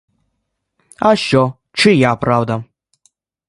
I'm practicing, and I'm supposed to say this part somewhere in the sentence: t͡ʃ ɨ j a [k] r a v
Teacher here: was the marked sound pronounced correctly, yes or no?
no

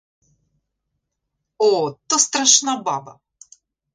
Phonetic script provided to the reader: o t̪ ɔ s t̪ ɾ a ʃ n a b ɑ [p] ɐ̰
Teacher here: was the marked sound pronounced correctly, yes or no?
no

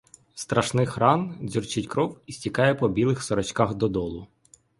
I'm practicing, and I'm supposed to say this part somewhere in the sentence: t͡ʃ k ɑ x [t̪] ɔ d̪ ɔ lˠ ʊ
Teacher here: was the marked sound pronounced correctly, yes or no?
no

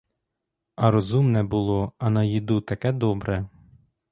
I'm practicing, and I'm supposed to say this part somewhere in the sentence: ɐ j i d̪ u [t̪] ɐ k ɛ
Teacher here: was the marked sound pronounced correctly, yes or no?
yes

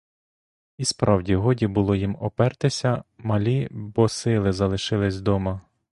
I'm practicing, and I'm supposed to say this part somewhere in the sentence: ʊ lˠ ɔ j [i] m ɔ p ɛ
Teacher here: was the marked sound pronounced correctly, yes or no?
yes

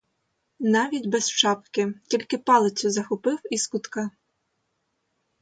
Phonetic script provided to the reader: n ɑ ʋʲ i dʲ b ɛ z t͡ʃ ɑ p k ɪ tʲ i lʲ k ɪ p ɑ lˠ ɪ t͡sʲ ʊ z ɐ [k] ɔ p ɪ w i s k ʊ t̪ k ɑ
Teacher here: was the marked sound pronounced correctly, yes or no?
no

